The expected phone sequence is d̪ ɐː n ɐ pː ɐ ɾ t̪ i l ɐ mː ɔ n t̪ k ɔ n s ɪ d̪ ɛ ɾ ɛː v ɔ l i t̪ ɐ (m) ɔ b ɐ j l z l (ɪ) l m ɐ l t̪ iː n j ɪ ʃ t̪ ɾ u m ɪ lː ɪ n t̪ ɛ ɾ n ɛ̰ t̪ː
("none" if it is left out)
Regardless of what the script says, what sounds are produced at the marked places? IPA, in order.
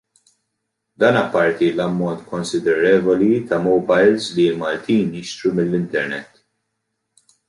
m, i

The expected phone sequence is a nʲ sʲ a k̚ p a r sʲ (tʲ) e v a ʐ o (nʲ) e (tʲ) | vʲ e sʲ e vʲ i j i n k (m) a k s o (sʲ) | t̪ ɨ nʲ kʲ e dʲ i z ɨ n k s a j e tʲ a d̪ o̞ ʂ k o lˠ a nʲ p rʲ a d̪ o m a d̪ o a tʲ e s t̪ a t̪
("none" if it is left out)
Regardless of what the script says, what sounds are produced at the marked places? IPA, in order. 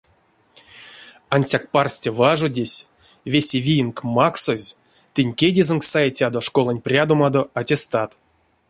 tʲ, dʲ, sʲ, m, zʲ

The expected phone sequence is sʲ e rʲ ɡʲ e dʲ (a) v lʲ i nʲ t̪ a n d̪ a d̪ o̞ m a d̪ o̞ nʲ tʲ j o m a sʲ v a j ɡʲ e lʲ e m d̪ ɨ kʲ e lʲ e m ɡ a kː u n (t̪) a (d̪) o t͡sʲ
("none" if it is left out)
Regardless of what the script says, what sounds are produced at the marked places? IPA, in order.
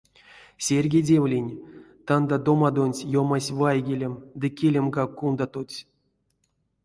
e, d̪, t̪

